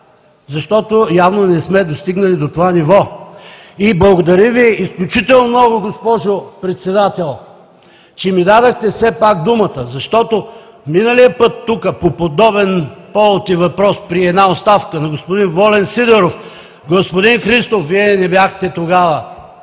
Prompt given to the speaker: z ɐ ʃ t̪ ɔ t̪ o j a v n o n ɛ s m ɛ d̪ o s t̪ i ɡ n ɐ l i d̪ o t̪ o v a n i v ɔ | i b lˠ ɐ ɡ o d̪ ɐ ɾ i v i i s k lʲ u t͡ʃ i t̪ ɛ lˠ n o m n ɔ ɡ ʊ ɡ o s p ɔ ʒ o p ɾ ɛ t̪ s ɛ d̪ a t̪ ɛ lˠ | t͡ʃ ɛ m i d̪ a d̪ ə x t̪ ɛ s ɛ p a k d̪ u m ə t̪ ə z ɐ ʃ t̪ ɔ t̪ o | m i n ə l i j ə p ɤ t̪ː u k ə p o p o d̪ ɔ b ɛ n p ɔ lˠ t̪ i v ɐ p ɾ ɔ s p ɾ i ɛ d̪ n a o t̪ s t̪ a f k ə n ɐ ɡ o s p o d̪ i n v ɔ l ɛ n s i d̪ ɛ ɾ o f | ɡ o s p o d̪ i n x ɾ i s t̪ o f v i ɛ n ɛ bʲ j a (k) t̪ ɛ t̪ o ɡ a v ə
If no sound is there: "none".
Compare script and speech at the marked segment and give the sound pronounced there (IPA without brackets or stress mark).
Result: x